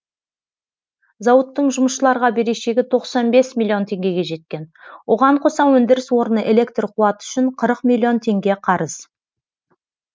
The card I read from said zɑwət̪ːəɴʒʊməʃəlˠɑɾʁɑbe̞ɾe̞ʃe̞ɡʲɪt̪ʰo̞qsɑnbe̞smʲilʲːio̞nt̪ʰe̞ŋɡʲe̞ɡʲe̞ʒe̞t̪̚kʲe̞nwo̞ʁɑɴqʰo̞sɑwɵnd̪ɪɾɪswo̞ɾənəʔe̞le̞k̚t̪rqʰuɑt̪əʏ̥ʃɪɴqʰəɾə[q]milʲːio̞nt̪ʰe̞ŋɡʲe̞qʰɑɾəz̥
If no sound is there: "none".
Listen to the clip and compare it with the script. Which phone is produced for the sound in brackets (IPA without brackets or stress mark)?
q